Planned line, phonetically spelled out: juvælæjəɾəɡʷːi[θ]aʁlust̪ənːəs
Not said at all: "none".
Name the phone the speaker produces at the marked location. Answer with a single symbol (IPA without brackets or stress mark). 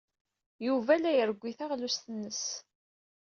θ